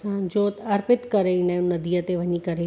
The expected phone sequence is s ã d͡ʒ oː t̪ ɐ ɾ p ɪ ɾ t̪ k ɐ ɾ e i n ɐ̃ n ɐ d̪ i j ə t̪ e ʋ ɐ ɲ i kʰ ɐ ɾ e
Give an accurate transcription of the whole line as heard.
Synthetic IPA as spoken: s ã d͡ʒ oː t̪ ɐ ɾ p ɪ t̪ k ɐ ɾ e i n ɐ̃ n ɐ d̪ i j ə t̪ e ʋ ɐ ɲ i k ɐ ɾ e